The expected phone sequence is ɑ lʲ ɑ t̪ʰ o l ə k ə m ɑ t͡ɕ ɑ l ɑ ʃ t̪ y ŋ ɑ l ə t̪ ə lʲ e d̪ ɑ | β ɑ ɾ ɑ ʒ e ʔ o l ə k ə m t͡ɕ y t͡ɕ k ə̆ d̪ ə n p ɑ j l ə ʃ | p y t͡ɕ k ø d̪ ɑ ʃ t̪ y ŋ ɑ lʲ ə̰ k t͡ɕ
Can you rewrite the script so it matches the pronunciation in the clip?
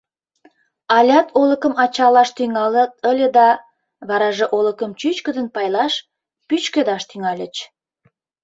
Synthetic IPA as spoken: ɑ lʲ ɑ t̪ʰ o l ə k ə m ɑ t͡ɕ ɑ l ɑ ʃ t̪ y ŋ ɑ l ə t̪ ə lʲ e d̪ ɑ | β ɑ ɾ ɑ ʒ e ʔ o l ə k ə m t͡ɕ y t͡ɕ k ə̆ d̪ ə n p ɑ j l ɑ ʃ | p y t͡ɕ k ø d̪ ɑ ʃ t̪ y ŋ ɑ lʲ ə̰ t͡ɕ